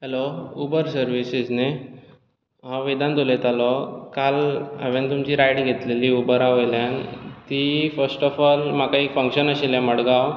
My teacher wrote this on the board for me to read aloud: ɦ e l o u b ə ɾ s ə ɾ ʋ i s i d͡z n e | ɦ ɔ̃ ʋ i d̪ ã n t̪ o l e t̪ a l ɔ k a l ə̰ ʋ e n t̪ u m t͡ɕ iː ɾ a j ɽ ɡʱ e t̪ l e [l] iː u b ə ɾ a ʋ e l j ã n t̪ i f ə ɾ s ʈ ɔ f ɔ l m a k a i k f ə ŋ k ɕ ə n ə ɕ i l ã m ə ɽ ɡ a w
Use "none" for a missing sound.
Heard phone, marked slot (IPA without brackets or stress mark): l